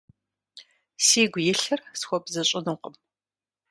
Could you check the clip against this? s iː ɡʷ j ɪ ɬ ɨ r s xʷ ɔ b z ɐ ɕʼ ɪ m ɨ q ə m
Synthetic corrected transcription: s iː ɡʷ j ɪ ɬ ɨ r s xʷ ɔ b z ɐ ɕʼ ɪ n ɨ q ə m